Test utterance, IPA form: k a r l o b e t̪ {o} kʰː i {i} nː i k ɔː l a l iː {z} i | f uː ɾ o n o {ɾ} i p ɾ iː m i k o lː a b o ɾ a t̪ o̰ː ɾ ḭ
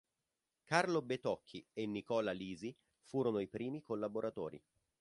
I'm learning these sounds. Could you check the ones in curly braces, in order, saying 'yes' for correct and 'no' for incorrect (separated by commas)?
no, no, yes, no